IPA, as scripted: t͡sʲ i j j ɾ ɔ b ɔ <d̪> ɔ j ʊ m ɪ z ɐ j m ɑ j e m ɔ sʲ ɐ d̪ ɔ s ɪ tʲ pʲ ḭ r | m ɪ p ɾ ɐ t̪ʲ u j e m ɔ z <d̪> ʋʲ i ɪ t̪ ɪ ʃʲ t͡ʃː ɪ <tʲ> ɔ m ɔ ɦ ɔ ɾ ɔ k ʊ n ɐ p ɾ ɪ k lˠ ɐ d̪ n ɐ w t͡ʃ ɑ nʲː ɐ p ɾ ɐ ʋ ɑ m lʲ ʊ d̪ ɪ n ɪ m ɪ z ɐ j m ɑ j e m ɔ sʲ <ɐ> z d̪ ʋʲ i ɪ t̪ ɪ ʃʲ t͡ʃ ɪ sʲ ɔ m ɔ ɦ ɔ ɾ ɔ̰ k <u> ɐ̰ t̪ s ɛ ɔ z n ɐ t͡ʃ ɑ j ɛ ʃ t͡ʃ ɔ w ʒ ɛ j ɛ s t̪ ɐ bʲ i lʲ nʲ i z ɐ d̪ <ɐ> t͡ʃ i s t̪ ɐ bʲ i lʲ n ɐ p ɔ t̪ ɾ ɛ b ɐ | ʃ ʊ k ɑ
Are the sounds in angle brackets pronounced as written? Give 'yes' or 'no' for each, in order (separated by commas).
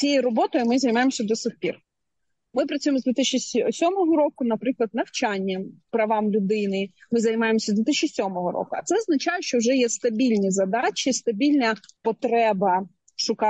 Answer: no, yes, no, yes, no, no